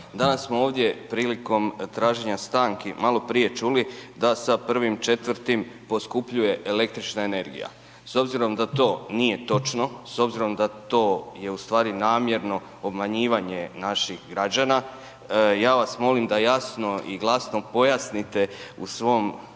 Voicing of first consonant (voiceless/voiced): voiced